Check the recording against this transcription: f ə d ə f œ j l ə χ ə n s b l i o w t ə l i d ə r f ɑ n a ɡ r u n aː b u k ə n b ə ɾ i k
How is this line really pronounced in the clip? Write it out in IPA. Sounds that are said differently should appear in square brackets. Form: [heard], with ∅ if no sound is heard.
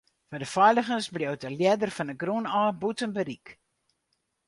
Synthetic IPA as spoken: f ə d ə f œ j l ə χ ə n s b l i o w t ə l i d ə r f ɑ n [ə] ɡ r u n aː b u [t] ə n b ə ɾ i k